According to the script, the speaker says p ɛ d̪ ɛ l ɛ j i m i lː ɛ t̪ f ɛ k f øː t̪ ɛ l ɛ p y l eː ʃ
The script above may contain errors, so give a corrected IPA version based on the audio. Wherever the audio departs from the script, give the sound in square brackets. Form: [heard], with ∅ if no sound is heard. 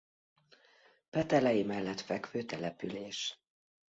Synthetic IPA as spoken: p ɛ [t̪] ɛ l ɛ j i m [ɛ] lː ɛ t̪ f ɛ k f øː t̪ ɛ l ɛ p y l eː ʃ